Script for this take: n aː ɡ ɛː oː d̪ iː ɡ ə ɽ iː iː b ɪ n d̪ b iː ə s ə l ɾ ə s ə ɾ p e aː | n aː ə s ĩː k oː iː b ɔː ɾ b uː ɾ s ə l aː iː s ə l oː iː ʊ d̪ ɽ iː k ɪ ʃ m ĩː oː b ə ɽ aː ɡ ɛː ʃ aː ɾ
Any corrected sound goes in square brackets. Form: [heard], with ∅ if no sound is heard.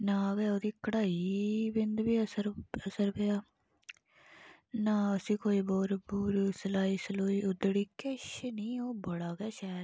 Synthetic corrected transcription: n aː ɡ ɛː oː d̪ iː [k] ə ɽ [aː] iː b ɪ n d̪ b iː ə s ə [∅] ɾ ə s ə ɾ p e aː | n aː ə s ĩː k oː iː b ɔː ɾ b uː ɾ s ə l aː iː s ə l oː iː ʊ d̪ ɽ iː k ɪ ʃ [n] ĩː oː b ə ɽ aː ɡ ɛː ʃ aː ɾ

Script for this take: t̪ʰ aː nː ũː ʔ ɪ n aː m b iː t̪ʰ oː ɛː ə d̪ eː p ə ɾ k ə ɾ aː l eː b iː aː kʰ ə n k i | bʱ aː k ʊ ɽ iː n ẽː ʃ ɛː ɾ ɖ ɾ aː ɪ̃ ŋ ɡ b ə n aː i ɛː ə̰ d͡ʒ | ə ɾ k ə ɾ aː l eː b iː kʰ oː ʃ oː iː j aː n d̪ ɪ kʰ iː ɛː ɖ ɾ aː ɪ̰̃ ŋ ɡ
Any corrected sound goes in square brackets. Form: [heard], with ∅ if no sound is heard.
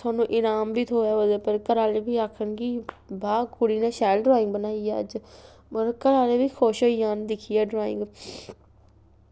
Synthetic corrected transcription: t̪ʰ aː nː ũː ʔ ɪ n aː m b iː t̪ʰ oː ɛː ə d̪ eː p ə ɾ k ə ɾ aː l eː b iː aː kʰ ə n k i | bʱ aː k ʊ ɽ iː n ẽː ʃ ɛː [l] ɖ ɾ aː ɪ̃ ŋ ɡ b ə n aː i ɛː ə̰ d͡ʒ | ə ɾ k ə ɾ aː l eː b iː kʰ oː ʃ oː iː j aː n d̪ ɪ kʰ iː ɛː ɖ ɾ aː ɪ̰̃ ŋ ɡ

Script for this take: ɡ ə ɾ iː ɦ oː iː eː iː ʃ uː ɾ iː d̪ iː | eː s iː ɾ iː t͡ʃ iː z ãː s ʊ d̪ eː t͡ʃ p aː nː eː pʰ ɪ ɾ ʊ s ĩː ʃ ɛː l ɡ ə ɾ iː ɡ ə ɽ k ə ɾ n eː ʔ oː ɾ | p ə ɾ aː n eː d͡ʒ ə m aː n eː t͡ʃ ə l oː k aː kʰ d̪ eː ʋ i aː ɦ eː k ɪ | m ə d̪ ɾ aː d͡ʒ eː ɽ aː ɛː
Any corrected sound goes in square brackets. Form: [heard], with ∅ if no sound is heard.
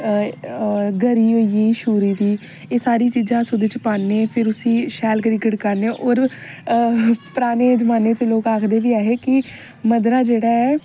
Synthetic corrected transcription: ɡ ə ɾ iː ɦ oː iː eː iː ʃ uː ɾ iː d̪ iː | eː s [aː] ɾ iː t͡ʃ iː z ãː s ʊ d̪ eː t͡ʃ p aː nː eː pʰ ɪ ɾ ʊ s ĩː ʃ ɛː l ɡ ə ɾ iː ɡ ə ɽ k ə ɾ n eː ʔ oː ɾ | p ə ɾ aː n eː d͡ʒ ə m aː n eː t͡ʃ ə l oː k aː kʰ d̪ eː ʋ [iː] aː ɦ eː k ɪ | m ə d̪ ɾ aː d͡ʒ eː ɽ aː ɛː

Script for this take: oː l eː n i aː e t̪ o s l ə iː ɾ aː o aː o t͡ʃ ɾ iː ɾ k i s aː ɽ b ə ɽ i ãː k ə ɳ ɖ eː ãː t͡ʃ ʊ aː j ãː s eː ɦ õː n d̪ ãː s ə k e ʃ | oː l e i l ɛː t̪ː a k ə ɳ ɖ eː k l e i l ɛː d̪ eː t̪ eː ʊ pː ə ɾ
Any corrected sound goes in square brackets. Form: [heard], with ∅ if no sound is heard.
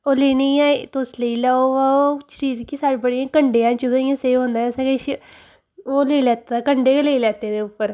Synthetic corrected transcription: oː l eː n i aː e t̪ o s l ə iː [l] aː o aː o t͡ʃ ɾ iː ɾ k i s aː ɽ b ə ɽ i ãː k ə ɳ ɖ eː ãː t͡ʃ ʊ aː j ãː s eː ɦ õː n d̪ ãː s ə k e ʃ | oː l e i l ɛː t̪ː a k ə ɳ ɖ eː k l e i l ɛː [t̪] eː [d̪] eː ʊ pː ə ɾ

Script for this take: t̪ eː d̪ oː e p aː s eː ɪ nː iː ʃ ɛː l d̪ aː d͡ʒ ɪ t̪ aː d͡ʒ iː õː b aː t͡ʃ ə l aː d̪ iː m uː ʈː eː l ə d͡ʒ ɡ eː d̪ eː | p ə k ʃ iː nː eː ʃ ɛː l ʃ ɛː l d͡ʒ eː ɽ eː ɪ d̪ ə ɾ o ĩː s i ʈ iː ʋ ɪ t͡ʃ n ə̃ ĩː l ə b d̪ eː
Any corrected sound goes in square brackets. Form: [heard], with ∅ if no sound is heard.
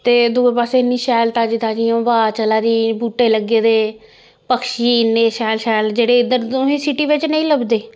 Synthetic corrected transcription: t̪ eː d̪ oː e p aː s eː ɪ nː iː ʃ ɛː l [t̪] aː d͡ʒ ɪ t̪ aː d͡ʒ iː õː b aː t͡ʃ ə l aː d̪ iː [b] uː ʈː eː l ə [∅] ɡ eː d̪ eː | p ə k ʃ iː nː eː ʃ ɛː l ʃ ɛː l d͡ʒ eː ɽ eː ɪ d̪ ə ɾ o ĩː s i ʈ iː ʋ ɪ t͡ʃ n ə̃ ĩː l ə b d̪ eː

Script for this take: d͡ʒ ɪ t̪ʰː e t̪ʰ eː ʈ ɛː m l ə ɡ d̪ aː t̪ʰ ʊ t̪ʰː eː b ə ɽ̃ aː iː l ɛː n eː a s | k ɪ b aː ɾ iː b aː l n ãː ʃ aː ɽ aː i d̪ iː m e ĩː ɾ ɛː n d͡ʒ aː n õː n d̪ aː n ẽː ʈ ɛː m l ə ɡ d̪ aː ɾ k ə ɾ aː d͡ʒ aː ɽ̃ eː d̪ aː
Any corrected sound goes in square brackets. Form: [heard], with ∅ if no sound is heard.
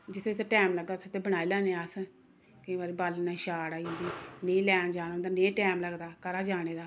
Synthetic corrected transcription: d͡ʒ ɪ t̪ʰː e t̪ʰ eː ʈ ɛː m l ə ɡ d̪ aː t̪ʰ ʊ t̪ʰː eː b ə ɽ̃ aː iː l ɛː n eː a s | k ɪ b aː ɾ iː b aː l n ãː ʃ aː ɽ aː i d̪ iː [n] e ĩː [l] ɛː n d͡ʒ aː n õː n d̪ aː n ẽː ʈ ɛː m l ə ɡ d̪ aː [∅] k ə ɾ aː d͡ʒ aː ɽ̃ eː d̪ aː

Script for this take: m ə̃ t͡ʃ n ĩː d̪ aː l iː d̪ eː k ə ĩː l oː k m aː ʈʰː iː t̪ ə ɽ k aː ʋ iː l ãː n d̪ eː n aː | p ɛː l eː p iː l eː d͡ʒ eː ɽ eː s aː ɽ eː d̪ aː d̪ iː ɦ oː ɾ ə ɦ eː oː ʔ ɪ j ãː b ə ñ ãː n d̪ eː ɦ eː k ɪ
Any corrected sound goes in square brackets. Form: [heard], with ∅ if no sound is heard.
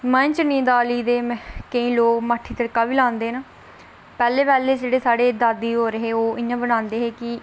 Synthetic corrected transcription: m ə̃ t͡ʃ n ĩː d̪ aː l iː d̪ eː k ə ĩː l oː k m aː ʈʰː iː t̪ ə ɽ k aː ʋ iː l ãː n d̪ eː n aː | p ɛː l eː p [ɛː] l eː d͡ʒ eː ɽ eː s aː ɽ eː d̪ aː d̪ iː ɦ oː ɾ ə ɦ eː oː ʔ ɪ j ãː b ə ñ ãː n d̪ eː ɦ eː k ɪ

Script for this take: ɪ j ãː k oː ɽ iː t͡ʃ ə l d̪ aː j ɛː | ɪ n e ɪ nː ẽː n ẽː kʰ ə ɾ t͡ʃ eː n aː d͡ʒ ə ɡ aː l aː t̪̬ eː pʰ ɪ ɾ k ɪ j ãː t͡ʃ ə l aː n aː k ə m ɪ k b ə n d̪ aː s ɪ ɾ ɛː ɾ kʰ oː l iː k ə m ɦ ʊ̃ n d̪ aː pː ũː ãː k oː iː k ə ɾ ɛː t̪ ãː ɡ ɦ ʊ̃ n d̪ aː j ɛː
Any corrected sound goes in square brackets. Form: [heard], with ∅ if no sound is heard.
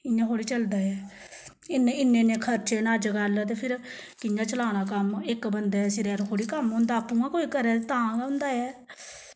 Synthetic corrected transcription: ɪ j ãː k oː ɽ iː t͡ʃ ə l d̪ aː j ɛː | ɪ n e ɪ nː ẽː n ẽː kʰ ə ɾ t͡ʃ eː n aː d͡ʒ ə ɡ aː l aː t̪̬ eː pʰ ɪ ɾ k ɪ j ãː t͡ʃ ə l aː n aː k ə m ɪ k b ə n d̪ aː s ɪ ɾ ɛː ɾ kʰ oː [ɽ] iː k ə m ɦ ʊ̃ n d̪ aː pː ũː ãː k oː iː k ə ɾ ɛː t̪ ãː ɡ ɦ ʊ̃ n d̪ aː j ɛː

